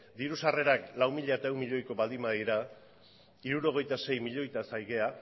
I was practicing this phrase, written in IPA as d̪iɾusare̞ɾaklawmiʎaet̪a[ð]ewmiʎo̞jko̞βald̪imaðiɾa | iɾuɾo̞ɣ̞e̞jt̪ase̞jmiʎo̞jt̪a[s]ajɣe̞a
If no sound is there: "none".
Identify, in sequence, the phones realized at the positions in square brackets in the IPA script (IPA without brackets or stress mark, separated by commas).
none, s